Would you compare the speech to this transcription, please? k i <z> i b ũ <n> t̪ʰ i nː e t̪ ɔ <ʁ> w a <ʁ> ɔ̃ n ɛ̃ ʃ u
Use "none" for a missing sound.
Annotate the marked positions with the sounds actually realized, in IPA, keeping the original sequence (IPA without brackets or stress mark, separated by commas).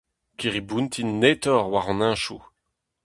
ʁ, n, ʁ, ʁ